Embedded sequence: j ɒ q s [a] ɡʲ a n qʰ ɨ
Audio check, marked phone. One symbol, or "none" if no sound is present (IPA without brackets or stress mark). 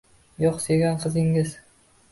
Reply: e